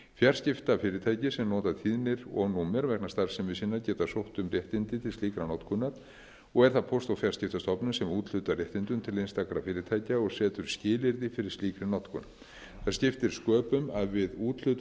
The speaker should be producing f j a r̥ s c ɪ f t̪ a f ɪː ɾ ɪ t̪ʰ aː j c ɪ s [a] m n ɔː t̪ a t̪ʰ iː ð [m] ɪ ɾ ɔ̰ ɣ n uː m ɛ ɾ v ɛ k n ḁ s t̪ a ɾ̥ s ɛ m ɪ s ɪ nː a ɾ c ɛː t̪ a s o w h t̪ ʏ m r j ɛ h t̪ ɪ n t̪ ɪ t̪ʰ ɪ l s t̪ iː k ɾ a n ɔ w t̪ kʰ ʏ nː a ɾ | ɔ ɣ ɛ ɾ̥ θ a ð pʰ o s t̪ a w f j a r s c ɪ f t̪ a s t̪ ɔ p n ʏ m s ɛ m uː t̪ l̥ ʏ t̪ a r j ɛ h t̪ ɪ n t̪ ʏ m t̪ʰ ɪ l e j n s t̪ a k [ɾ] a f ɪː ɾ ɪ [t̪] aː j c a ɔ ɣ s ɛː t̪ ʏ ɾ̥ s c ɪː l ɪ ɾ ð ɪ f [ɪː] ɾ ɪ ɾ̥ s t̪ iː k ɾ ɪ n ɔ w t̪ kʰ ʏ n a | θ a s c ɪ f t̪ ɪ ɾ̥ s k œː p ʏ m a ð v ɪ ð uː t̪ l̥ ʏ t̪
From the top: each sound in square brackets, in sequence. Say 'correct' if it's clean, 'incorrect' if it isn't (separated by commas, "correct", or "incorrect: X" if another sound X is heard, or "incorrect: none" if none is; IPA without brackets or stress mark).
incorrect: ɛ, incorrect: n, correct, incorrect: t̪ʰ, incorrect: ɪ